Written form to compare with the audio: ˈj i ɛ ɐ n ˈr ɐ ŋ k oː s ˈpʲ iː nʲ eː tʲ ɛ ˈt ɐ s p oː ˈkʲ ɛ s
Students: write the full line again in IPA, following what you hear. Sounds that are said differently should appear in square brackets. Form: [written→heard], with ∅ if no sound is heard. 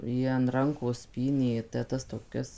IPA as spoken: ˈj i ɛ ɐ n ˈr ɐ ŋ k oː s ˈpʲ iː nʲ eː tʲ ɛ ˈt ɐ s [p→t] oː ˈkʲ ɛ s